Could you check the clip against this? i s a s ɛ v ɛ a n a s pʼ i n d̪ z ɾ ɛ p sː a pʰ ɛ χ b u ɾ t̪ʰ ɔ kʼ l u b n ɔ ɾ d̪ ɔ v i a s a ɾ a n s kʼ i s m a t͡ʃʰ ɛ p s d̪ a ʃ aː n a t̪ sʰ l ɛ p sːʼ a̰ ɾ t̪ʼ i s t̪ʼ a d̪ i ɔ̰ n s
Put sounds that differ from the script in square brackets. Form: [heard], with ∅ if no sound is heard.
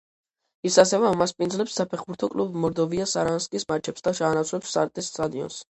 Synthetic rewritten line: i s a s ɛ v ɛ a [m] a s pʼ i n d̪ z [l] ɛ p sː a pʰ ɛ χ b u ɾ t̪ʰ ɔ kʼ l u b [m] ɔ ɾ d̪ ɔ v i a s a ɾ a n s kʼ i s m a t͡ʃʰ ɛ p s d̪ a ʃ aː n a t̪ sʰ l ɛ p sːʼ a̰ ɾ t̪ʼ i s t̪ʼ a d̪ i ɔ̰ n s